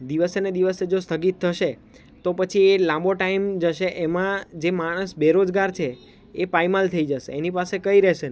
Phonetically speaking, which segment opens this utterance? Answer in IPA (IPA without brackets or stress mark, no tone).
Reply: d̪